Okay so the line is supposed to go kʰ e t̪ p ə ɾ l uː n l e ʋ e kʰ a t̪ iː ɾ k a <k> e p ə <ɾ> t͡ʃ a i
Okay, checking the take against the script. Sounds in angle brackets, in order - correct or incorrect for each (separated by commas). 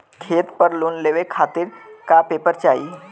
incorrect, correct